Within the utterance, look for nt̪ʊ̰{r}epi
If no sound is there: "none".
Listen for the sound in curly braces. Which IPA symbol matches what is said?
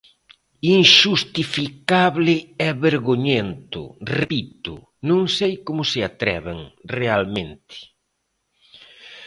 r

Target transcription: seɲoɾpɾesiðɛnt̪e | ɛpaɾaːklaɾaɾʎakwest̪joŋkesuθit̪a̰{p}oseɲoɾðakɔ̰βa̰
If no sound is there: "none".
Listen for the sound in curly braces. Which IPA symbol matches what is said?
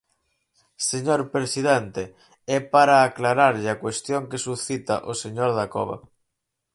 ʔ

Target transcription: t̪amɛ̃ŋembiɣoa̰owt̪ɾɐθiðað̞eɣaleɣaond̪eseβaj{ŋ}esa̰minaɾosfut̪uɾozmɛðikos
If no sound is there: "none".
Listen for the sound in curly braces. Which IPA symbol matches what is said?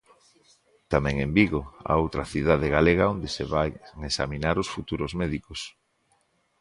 ŋ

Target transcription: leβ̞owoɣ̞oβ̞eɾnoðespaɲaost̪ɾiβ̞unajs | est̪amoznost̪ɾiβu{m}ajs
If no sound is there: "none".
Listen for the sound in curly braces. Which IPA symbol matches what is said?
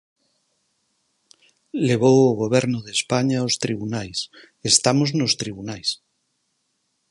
n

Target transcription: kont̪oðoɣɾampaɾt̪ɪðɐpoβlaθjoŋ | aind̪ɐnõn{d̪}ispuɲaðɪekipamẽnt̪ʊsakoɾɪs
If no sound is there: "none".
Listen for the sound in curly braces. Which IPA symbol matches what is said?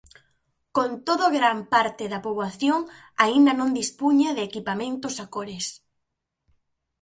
d̪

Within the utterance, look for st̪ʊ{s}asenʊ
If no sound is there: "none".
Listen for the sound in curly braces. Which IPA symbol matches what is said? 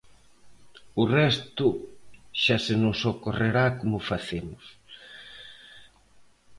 ʃ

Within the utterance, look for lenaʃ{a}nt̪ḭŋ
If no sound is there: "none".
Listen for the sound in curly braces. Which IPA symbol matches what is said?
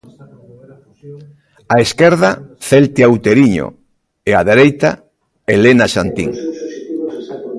a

